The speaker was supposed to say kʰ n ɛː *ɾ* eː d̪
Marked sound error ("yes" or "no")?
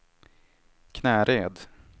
no